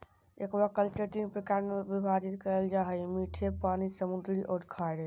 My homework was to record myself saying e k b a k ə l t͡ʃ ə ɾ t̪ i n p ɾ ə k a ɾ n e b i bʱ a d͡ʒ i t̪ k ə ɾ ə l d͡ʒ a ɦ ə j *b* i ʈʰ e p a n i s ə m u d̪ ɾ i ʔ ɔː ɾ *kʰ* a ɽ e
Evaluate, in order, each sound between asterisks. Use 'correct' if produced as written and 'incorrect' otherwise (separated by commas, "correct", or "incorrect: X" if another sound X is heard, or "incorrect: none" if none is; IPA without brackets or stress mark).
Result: incorrect: m, correct